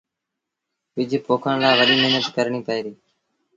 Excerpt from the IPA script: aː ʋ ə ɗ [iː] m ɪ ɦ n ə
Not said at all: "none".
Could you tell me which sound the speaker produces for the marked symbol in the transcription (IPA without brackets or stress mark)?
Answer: iː